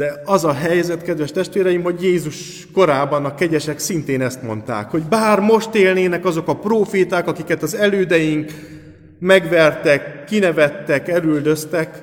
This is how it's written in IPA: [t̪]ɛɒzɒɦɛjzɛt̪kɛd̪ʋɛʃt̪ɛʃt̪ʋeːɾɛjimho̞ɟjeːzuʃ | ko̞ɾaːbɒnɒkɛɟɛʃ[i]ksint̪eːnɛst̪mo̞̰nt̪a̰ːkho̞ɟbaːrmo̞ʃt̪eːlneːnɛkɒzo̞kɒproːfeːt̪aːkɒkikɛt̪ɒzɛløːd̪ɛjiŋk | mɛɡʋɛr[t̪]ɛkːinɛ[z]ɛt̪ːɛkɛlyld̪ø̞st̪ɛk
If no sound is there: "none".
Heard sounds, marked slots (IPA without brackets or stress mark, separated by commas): d̪, ɛ, t̪, v